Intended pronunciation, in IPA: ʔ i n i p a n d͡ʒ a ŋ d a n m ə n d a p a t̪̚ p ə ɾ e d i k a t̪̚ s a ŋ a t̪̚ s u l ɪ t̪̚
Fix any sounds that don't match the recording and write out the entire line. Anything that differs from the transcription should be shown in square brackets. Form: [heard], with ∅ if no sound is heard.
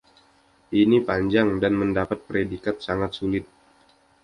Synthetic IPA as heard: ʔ i n i p a [ɲ] d͡ʒ a ŋ d a n m ə n d a p a t̪̚ p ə ɾ e d i k a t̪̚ s a ŋ a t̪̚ s u l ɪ t̪̚